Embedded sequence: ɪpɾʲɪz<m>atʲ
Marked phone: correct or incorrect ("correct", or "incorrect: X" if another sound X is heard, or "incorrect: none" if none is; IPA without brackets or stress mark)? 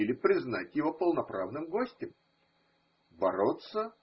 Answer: incorrect: n